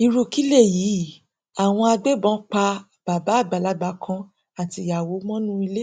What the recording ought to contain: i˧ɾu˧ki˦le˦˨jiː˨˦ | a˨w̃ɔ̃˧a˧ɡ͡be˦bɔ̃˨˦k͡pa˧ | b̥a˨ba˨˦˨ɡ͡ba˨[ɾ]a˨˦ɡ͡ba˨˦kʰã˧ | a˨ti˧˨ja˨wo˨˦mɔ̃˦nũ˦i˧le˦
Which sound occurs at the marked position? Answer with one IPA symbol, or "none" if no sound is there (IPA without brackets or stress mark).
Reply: l